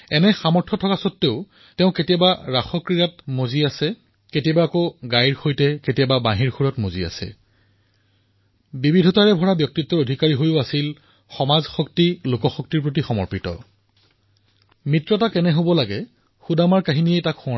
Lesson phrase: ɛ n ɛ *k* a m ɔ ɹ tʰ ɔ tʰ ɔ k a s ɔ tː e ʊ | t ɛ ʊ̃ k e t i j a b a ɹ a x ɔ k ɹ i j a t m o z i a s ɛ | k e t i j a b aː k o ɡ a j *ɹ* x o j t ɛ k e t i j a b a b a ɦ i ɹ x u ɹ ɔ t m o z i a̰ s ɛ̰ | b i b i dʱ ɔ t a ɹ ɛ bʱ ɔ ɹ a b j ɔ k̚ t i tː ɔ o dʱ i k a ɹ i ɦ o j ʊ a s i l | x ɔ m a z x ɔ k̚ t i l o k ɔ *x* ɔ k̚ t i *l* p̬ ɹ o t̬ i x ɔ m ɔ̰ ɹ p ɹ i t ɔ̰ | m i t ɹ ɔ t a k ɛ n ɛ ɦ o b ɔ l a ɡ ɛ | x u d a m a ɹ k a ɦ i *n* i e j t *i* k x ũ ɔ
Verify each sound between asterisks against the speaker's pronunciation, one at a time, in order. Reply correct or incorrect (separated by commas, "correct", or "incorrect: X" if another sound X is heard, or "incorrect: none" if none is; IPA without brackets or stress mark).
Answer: incorrect: x, correct, correct, incorrect: ɹ, correct, incorrect: a